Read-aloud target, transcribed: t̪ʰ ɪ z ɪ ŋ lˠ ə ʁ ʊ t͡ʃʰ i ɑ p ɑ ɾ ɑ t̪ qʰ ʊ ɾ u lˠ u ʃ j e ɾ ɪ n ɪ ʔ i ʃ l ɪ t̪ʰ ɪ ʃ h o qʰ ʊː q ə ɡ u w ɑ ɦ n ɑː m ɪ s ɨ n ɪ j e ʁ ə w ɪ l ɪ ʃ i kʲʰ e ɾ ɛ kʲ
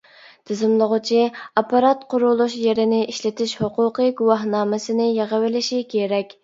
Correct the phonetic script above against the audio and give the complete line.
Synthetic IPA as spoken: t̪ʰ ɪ z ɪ m lˠ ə ʁ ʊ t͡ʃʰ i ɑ p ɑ ɾ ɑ t̪ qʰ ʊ ɾ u lˠ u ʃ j e ɾ ɪ n ɪ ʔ i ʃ l ɪ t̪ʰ ɪ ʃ h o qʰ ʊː q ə ɡ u w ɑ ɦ n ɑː m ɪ s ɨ n ɪ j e ʁ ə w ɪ l ɪ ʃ i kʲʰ e ɾ ɛ kʲ